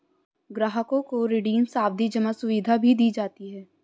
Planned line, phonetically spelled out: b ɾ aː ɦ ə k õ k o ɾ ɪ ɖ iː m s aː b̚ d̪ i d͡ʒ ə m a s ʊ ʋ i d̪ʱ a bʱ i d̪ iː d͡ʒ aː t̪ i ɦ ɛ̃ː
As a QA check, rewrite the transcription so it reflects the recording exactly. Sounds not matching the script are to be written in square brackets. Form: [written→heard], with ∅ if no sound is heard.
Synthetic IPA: [b→ɡ] ɾ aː ɦ ə k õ k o ɾ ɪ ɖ iː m s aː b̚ d̪ i d͡ʒ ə m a s ʊ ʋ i d̪ʱ a bʱ i d̪ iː d͡ʒ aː t̪ i ɦ [ɛ̃ː→ɛː]

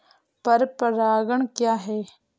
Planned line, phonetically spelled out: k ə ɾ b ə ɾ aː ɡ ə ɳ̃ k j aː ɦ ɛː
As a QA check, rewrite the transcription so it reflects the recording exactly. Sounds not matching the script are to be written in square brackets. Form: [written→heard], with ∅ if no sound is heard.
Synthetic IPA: [k→p] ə ɾ [b→p] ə ɾ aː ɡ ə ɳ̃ k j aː ɦ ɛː

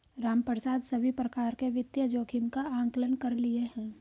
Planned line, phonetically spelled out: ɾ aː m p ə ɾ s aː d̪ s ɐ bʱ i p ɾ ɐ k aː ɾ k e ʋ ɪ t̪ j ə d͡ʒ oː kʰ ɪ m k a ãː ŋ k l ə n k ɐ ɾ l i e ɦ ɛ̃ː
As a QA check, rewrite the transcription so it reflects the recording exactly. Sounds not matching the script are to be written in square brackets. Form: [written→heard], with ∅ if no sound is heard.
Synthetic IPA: ɾ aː m p ə ɾ s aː d̪ s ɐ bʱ i p ɾ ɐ k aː ɾ k e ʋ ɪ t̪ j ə d͡ʒ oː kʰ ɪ m k a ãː ŋ k l ə n k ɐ ɾ l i e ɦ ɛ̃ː

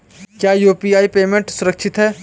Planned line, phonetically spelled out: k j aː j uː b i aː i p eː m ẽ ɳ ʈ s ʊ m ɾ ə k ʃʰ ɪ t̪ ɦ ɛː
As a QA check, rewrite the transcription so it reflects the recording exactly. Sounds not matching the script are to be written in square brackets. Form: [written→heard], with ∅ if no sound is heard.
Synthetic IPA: k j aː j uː [b→p] i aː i p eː m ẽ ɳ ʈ s ʊ [m→∅] ɾ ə k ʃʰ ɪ t̪ ɦ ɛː

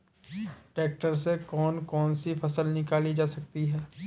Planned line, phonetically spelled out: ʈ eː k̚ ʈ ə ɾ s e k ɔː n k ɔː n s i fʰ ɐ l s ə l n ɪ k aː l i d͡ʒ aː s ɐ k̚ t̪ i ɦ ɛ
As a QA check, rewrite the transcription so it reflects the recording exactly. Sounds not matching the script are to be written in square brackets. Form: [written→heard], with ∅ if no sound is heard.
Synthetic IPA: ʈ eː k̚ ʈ ə ɾ s e k ɔː n k ɔː n s i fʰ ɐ [l→∅] s ə l n ɪ k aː l i d͡ʒ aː s ɐ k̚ t̪ i ɦ [ɛ→ɛː]

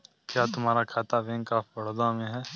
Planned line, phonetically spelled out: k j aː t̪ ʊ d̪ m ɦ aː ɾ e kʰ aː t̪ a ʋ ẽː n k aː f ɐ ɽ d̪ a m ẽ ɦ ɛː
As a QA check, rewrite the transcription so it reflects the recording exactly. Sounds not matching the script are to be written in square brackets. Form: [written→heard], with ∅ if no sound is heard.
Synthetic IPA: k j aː t̪ ʊ [d̪→∅] m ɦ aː ɾ [e→a] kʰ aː t̪ a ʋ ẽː [n→ŋ] k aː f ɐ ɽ d̪ a m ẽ ɦ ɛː

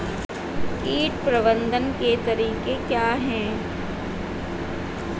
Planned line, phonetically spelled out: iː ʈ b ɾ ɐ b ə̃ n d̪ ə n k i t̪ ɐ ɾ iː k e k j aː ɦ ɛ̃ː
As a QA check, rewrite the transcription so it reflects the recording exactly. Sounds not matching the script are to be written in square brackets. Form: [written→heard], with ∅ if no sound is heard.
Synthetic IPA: iː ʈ [b→p] ɾ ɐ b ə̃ n d̪ ə n k [i→e] t̪ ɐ ɾ iː k e k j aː ɦ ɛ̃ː

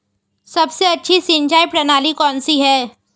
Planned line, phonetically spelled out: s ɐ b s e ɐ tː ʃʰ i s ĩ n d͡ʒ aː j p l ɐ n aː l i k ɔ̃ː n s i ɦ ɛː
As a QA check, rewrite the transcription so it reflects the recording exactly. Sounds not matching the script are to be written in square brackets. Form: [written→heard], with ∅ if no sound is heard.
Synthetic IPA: s ɐ b s e ɐ tː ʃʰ i s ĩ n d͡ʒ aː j p [l→ɾ] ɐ n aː l i k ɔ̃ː n s i ɦ ɛː

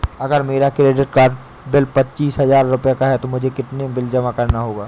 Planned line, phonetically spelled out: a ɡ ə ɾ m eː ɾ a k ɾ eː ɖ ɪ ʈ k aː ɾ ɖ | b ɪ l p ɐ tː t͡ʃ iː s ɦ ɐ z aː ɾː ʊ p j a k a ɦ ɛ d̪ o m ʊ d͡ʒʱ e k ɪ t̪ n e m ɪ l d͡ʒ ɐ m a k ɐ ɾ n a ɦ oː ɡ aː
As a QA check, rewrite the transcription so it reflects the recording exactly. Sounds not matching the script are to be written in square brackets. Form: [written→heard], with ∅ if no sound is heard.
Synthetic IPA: [a→ɐ] ɡ ə ɾ m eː ɾ a k ɾ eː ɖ ɪ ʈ k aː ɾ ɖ | b ɪ l p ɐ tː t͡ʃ iː s ɦ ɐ z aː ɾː ʊ p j a k a ɦ ɛ [d̪→t̪] o m ʊ d͡ʒʱ e k ɪ t̪ n e [m→b] ɪ l d͡ʒ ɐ m a k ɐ ɾ n a ɦ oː ɡ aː

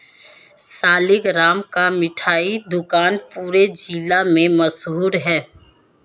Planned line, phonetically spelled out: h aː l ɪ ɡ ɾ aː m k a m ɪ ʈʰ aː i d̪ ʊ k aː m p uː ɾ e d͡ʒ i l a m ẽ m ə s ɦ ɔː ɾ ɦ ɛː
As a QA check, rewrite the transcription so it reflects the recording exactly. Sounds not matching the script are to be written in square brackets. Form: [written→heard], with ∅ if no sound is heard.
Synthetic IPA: [h→s] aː l ɪ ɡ ɾ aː m k a m ɪ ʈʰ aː i d̪ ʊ k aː [m→n] p uː ɾ e d͡ʒ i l a m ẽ m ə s ɦ [ɔː→uː] ɾ ɦ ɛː

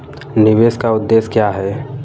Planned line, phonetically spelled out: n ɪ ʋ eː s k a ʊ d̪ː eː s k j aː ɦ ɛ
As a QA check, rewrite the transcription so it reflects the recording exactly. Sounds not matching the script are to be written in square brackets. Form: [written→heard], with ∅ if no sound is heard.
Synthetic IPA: n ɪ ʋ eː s k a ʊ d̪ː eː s k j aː ɦ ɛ

